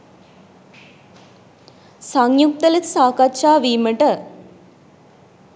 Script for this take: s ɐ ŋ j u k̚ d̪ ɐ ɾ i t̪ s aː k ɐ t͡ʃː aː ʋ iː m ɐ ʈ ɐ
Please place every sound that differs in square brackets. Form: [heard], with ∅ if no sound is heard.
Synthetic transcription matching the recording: s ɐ ŋ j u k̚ [t̪] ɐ [l] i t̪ s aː k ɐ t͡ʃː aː ʋ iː m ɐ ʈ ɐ

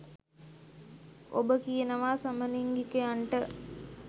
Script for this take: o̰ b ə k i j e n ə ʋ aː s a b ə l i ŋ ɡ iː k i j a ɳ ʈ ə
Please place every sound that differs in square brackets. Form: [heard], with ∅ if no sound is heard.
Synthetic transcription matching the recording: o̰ b ə k i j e n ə ʋ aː s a [m] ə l i ŋ ɡ [i] k [e] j a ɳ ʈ ə

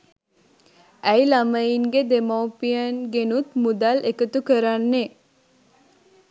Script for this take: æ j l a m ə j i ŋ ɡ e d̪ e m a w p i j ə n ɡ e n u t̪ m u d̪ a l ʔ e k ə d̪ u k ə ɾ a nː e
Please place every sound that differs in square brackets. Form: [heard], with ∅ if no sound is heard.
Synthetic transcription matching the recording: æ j l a m ə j i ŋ ɡ e d̪ e m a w p i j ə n ɡ e n u t̪ m u d̪ a l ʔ e k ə [t̪] u k ə ɾ a nː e

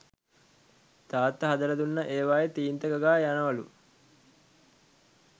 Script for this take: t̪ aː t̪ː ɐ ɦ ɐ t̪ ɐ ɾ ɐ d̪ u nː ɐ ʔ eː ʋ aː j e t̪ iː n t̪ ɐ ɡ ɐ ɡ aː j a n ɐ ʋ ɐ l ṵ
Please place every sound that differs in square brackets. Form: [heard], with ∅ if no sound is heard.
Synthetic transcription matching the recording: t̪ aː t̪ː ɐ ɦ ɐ [d̪] ɐ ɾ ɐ d̪ u nː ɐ ʔ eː ʋ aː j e t̪ iː n t̪ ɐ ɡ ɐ ɡ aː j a n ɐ ʋ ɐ l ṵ

